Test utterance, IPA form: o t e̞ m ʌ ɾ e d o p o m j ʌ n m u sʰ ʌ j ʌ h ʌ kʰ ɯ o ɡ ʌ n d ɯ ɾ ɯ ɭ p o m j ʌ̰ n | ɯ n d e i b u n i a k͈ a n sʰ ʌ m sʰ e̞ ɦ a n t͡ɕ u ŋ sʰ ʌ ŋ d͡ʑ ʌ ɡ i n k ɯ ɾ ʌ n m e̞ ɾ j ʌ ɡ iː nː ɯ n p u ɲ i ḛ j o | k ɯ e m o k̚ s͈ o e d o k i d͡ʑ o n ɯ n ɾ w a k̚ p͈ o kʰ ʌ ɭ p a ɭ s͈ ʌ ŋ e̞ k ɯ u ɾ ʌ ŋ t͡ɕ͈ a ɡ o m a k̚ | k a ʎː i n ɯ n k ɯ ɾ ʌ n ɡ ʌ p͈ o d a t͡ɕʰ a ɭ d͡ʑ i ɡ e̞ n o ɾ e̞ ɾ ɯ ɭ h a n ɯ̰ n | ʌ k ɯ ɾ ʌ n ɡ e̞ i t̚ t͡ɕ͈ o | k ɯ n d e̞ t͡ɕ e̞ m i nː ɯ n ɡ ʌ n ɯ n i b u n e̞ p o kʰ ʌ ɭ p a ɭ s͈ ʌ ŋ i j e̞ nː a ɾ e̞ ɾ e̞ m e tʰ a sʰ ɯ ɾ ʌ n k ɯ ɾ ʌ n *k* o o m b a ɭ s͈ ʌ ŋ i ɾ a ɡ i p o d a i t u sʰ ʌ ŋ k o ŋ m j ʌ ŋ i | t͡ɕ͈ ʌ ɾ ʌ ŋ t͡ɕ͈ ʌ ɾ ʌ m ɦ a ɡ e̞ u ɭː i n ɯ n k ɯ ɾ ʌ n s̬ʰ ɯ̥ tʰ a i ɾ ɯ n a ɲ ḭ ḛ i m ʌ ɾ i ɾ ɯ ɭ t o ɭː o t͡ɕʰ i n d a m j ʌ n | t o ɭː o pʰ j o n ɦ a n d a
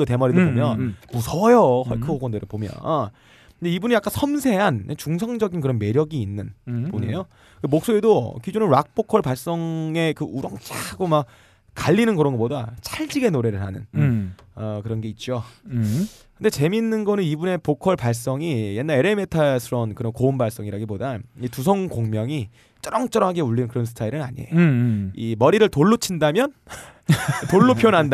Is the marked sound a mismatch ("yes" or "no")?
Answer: no